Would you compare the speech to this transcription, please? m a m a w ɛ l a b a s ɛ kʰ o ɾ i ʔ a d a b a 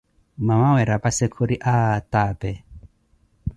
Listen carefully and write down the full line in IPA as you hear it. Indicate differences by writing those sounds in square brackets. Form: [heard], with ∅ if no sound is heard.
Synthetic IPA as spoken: m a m a w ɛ [ɾ] a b a s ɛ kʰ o ɾ i ʔ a [t] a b [ɛ]